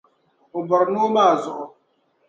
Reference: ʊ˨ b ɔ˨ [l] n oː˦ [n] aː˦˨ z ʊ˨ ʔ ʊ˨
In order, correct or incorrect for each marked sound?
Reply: incorrect: ɾ, incorrect: m

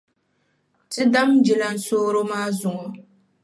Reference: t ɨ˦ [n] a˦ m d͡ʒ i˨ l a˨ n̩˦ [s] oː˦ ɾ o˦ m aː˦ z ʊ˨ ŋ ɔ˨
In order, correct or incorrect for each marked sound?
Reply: incorrect: d, correct

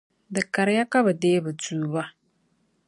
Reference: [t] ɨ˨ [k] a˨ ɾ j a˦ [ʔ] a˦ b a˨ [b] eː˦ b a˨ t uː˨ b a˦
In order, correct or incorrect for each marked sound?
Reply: incorrect: d, correct, incorrect: k, incorrect: d

